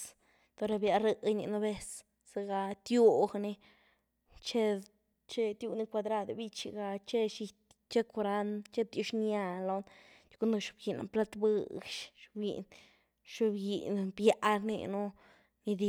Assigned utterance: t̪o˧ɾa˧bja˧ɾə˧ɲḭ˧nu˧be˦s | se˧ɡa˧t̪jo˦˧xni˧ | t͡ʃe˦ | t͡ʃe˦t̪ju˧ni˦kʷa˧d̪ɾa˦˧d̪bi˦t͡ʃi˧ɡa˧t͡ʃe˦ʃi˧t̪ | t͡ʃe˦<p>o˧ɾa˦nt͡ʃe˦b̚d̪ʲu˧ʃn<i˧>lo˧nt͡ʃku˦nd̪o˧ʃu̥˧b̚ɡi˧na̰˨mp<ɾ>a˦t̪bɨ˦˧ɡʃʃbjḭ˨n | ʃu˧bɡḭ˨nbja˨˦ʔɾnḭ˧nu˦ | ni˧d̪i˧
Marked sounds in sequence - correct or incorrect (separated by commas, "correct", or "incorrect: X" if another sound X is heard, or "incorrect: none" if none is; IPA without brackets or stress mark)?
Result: incorrect: k, incorrect: a˧, incorrect: l